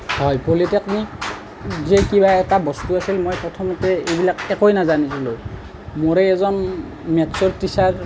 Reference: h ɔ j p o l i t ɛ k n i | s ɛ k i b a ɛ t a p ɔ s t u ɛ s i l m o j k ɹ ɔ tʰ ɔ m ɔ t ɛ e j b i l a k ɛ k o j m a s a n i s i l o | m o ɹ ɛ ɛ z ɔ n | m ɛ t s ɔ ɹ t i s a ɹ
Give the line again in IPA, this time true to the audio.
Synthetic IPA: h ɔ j p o l i t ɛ k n i | z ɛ k i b a ɛ t a b ɔ s t u a s i l m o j p ɹ ɔ tʰ ɔ m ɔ t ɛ e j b i l a k ɛ k o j n a z a n i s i l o | m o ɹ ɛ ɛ z ɔ n | m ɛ t s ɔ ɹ t i s a ɹ